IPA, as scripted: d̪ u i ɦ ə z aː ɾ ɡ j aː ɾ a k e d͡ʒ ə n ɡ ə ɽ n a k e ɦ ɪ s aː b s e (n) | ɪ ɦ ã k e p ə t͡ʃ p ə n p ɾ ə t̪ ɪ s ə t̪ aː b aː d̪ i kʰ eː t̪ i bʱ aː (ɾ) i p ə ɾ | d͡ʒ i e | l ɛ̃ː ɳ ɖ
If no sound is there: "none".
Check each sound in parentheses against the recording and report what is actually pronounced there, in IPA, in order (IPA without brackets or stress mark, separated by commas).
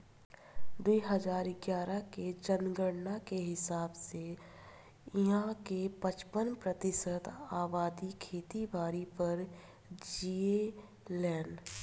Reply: none, ɾ